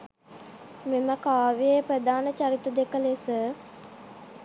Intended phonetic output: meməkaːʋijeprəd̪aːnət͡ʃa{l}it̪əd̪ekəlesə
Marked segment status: incorrect: ɾ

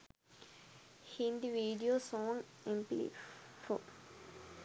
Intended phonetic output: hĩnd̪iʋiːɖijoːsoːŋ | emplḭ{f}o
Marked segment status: correct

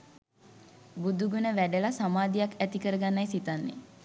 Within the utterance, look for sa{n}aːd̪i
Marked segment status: incorrect: m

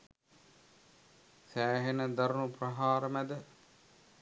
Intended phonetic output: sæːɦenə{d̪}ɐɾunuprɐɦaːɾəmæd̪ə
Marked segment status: correct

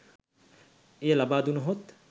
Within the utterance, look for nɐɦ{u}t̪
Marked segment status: incorrect: o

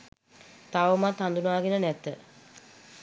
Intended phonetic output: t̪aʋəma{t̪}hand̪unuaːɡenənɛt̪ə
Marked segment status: correct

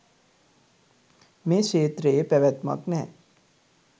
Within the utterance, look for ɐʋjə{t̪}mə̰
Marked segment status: correct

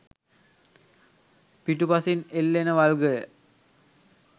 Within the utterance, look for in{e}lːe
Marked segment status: correct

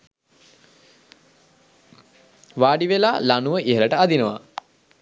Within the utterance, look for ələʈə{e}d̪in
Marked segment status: incorrect: a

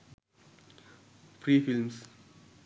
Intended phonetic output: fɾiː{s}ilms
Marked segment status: incorrect: f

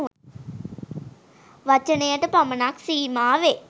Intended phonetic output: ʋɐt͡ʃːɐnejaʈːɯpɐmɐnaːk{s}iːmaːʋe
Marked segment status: correct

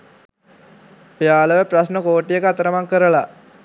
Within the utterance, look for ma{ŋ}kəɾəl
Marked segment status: correct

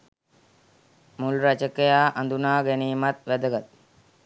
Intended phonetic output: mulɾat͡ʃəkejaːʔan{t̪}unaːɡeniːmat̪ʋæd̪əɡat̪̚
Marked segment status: incorrect: d̪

